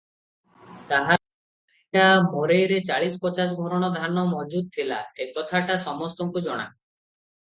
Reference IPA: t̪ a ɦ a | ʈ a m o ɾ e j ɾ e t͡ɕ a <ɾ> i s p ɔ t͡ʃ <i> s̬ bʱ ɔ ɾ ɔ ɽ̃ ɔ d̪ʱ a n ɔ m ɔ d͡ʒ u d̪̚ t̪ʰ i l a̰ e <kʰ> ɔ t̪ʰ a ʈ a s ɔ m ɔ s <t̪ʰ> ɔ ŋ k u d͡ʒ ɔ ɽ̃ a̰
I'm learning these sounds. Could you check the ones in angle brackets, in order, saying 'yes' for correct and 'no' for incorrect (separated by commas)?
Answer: no, no, no, no